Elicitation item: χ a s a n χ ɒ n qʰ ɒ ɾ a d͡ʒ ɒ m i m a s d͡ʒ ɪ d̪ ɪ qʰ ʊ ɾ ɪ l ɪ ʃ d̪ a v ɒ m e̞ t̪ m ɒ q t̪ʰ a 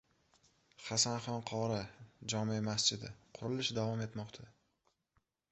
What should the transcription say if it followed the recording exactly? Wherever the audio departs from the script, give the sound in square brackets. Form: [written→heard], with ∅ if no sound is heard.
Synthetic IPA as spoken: χ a s a n χ ɒ n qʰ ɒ ɾ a d͡ʒ ɒ m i m a s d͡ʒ ɪ d̪ ɪ qʰ ʊ ɾ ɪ l ɪ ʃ d̪ a v ɒ m e̞ t̪ m ɒ q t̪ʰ a